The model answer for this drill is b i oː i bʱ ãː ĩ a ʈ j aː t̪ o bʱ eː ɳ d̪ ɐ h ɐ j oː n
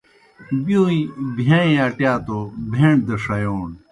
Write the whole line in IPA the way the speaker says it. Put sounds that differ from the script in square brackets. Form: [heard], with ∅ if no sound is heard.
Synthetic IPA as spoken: b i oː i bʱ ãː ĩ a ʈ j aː t̪ o bʱ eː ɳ d̪ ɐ [ʂ] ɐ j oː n